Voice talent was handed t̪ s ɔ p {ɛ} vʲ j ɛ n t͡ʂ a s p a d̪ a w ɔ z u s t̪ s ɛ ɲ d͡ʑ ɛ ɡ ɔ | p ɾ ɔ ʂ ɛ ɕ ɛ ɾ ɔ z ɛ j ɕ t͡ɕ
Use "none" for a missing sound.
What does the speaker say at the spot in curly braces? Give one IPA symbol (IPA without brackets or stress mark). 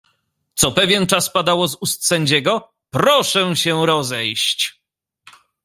ɛ